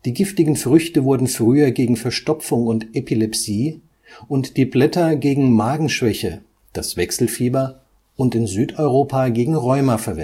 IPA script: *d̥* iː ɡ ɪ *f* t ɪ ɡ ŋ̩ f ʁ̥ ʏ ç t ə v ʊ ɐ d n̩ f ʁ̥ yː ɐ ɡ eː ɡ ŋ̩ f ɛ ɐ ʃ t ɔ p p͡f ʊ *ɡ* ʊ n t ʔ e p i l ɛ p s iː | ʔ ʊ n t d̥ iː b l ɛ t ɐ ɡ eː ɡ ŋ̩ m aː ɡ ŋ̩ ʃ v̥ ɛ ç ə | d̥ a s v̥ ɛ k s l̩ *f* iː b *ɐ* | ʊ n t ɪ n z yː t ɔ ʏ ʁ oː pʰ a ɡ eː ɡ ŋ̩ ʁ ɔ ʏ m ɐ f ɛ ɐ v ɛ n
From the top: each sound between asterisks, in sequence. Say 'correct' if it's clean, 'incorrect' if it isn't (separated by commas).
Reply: correct, correct, incorrect, correct, correct